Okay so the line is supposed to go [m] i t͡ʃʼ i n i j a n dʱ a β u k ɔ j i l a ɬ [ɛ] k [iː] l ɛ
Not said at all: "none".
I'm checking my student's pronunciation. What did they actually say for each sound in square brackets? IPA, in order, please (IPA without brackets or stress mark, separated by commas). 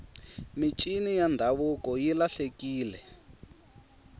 m, e, iː